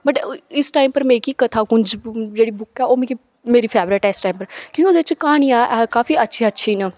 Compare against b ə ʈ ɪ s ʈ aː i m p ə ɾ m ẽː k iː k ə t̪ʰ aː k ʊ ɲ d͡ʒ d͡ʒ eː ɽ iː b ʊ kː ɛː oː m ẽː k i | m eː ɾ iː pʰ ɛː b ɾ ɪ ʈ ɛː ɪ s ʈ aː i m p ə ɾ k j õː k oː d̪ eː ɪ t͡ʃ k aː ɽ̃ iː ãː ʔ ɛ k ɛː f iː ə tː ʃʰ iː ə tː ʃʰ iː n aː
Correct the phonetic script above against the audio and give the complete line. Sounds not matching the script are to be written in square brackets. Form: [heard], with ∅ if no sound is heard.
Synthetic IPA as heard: b ə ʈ ɪ s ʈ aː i m p ə ɾ m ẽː k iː k ə t̪ʰ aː k ʊ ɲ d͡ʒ d͡ʒ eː ɽ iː b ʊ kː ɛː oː m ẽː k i | m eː ɾ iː pʰ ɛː b ɾ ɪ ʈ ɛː ɪ s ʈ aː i m p ə ɾ k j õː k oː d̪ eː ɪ t͡ʃ k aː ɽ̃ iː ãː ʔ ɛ k [aː] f iː ə tː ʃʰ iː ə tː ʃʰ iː n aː

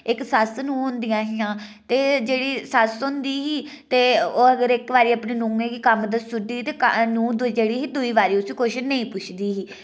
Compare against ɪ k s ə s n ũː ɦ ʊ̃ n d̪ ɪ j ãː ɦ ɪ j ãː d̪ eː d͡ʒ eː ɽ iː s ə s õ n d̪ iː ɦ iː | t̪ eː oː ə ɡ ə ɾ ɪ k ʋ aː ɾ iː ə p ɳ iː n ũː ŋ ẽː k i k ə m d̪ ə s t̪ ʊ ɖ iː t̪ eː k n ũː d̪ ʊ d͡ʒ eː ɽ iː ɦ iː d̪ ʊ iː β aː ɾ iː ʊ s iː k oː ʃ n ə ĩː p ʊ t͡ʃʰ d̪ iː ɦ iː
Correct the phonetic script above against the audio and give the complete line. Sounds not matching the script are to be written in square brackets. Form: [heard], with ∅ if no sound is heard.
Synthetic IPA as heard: ɪ k s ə s n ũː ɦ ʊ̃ n d̪ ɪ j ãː ɦ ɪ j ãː [t̪] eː d͡ʒ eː ɽ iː s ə s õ n d̪ iː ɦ iː | t̪ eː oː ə ɡ ə ɾ ɪ k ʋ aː ɾ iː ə p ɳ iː n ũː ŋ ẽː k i k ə m d̪ ə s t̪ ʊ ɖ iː t̪ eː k n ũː d̪ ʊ d͡ʒ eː ɽ iː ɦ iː d̪ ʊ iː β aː ɾ iː ʊ s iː k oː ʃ n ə ĩː p ʊ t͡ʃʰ d̪ iː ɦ iː

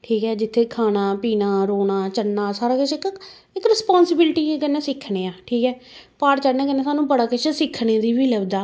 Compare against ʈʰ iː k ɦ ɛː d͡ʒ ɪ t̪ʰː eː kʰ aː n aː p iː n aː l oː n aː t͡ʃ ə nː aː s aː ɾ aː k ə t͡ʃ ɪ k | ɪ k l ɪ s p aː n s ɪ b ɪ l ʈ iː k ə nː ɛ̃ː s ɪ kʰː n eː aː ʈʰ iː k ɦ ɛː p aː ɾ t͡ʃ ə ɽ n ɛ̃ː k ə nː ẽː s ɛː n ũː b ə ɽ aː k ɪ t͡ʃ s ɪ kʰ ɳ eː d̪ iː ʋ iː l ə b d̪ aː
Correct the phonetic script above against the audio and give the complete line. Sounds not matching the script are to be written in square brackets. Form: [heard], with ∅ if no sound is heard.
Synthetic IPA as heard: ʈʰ iː k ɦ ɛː d͡ʒ ɪ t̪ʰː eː kʰ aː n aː p iː n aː [ɾ] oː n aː t͡ʃ ə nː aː s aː ɾ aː k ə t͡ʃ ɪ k | ɪ k [ɾ] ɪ s p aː n s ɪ b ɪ l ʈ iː k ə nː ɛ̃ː s ɪ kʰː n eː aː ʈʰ iː k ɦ ɛː p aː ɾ t͡ʃ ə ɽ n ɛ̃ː k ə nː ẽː s [aː] n ũː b ə ɽ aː k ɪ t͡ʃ s ɪ kʰ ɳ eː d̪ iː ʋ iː l ə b d̪ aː

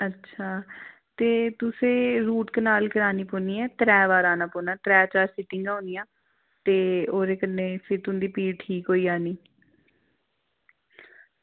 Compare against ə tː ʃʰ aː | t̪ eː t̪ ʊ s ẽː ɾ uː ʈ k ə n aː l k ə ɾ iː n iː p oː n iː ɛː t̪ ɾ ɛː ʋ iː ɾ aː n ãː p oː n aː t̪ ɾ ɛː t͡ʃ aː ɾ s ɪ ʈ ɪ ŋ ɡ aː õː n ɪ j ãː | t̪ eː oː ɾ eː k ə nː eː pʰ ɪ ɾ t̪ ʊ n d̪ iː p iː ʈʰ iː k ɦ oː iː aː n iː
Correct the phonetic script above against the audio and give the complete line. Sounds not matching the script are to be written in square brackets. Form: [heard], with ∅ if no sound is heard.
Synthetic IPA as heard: ə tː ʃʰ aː | t̪ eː t̪ ʊ s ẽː ɾ uː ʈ k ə n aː l k ə ɾ [aː] n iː p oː n iː ɛː t̪ ɾ ɛː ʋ [aː] ɾ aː n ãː p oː n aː t̪ ɾ ɛː t͡ʃ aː ɾ s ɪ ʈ ɪ ŋ ɡ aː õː n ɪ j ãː | t̪ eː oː ɾ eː k ə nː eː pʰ ɪ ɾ t̪ ʊ n d̪ iː p iː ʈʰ iː k ɦ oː iː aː n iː

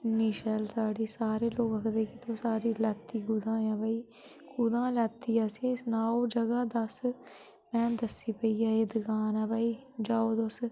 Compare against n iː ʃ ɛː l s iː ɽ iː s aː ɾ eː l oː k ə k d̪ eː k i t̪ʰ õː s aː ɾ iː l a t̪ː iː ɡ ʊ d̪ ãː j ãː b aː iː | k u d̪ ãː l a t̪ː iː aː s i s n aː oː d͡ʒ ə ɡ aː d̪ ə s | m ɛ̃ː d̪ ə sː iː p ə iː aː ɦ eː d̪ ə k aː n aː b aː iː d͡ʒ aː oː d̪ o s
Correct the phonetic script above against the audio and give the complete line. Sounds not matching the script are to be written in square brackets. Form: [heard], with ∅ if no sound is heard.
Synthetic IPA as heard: n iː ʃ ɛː l s [aː] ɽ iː s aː ɾ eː l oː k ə k d̪ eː k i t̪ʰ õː s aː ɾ iː l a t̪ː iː ɡ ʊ d̪ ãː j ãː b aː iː | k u d̪ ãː l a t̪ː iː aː s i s n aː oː d͡ʒ ə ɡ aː d̪ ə s | m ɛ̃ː d̪ ə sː iː p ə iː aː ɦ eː d̪ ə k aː n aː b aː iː d͡ʒ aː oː d̪ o s

